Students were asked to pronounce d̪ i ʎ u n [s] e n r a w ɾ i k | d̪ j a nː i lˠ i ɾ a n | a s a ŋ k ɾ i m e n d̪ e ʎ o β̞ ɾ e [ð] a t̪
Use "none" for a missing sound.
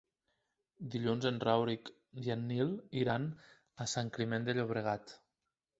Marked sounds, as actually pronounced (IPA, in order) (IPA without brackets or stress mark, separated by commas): z, ɣ